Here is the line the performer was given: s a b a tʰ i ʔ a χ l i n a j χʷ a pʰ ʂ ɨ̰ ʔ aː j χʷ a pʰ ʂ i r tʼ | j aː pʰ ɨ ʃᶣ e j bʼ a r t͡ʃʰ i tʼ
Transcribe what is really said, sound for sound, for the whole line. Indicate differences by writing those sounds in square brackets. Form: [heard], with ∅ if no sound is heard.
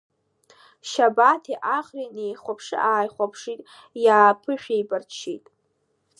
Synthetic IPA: [ʃ] a b a tʰ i ʔ a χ [r] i n [e] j χʷ a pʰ ʂ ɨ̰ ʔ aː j χʷ a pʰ ʂ i [∅] tʼ | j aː pʰ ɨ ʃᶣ e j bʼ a r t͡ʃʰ i tʼ